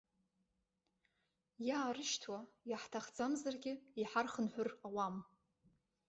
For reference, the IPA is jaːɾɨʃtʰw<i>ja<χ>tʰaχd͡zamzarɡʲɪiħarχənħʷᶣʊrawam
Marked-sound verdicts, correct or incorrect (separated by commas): incorrect, incorrect